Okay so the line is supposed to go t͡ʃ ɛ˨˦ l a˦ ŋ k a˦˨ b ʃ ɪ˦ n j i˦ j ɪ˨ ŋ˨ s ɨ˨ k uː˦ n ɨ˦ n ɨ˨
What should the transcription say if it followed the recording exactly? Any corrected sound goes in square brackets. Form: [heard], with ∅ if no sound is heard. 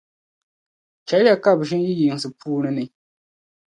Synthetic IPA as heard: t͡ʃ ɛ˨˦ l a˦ [∅] k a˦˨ b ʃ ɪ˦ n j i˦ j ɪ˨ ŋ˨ s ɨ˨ [p] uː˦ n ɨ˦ n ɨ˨